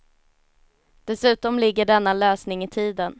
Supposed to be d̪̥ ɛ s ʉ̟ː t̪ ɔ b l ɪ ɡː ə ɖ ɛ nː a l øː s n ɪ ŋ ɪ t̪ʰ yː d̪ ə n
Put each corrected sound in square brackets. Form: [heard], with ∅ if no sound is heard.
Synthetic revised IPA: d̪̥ ɛ s ʉ̟ː t̪ ɔ [m] l ɪ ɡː ə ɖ ɛ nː a l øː s n ɪ ŋ ɪ t̪ʰ [iː] d̪ ə n